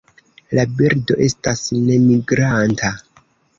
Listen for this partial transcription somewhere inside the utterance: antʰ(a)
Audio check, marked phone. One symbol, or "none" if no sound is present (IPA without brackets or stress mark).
a